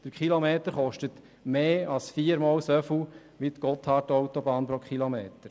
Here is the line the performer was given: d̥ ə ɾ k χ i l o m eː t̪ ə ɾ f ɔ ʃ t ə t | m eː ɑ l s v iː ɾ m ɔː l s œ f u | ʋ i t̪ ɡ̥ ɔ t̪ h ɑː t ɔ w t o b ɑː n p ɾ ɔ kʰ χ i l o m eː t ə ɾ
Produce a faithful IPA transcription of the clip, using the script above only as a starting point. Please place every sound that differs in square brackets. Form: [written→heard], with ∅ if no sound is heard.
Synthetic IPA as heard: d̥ ə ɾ k χ i l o m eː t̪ ə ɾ [f→χ] ɔ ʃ t ə t | m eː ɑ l s [v→f] iː ɾ m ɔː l s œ f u | ʋ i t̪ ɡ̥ ɔ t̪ h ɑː t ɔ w t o b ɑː n p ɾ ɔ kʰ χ i l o m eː t ə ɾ